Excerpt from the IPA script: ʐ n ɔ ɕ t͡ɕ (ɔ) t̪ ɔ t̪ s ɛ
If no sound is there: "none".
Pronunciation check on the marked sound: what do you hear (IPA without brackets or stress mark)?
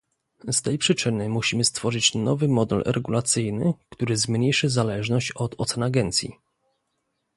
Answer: ɔ